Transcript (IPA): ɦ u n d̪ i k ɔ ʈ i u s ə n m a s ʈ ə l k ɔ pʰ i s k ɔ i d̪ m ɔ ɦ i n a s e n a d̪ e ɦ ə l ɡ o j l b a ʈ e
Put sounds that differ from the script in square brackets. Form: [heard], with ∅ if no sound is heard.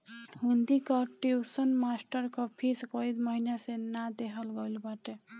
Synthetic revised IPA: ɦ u n d̪ i k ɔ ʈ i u s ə n m a s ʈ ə [ɾ] k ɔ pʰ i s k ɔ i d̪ m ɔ ɦ i n a s e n a d̪ e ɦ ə l ɡ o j l b a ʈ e